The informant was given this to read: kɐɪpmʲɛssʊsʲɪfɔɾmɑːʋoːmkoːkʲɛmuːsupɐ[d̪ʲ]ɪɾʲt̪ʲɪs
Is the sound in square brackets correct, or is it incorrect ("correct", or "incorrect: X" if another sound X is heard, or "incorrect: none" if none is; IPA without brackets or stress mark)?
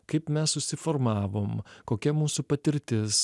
incorrect: t̪ʲ